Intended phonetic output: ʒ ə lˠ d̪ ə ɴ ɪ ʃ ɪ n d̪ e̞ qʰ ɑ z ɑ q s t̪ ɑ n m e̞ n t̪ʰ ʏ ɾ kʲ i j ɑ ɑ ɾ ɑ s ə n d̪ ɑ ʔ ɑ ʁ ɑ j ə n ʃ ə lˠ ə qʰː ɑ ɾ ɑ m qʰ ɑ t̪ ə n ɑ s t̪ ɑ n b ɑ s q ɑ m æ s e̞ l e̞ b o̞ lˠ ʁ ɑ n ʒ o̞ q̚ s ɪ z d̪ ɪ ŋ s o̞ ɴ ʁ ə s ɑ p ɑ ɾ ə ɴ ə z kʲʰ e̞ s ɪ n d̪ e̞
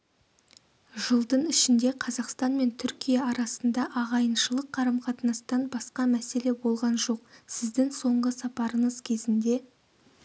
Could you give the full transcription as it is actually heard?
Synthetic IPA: ʒ ə lˠ d̪ ə ɴ ɪ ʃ ɪ n d̪ e̞ qʰ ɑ z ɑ q s t̪ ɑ n m e̞ n t̪ʰ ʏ ɾ kʲ i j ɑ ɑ ɾ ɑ s ə n d̪ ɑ ʔ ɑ ʁ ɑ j ə n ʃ ə lˠ ə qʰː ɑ ɾ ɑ m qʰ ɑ t̪ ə n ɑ s t̪ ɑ n b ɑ s q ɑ m æ s e̞ l e̞ b o̞ lˠ ʁ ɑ n ʒ o̞ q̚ s ɪ z d̪ ɪ ŋ s o̞ ɴ ʁ ə s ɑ p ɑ ɾ ə ɴ ə z kʲʰ e̞ z ɪ n d̪ e̞